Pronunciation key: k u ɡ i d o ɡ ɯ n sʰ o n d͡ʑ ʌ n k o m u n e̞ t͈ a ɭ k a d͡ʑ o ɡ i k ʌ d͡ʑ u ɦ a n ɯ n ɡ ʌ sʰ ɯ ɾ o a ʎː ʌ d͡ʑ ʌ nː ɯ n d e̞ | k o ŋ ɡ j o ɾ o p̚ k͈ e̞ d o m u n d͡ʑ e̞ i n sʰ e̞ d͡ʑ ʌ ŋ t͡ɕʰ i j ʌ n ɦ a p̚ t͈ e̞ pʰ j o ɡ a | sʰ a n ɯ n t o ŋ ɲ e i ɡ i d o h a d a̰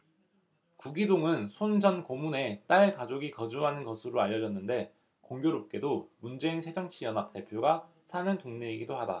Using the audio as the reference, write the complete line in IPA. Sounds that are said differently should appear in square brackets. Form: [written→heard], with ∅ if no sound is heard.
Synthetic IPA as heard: k u ɡ i d o [ɡ→ŋ] ɯ n sʰ o n d͡ʑ ʌ n k o m u n e̞ t͈ a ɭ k a d͡ʑ o ɡ i k ʌ d͡ʑ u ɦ a n ɯ n ɡ ʌ sʰ ɯ ɾ o a ʎː ʌ d͡ʑ ʌ nː ɯ n d e̞ | k o ŋ ɡ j o ɾ o p̚ k͈ e̞ d o m u n d͡ʑ e̞ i n sʰ e̞ d͡ʑ ʌ ŋ t͡ɕʰ i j ʌ n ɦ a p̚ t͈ e̞ pʰ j o ɡ a | sʰ a n ɯ n t o ŋ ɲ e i ɡ i d o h a d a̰